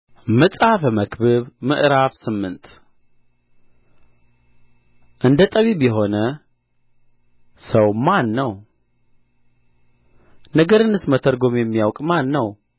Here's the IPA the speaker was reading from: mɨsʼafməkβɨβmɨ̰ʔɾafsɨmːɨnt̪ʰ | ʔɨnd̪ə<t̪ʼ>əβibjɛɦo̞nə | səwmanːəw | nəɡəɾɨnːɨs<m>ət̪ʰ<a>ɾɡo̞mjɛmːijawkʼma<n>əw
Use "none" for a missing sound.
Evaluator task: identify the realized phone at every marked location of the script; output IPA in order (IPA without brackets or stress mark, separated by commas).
t̪ʼ, m, ə, nː